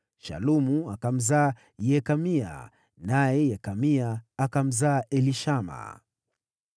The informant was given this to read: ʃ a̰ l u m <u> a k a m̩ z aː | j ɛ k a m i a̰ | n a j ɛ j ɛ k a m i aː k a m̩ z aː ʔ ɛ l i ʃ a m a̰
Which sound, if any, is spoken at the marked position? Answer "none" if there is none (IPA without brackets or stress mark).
u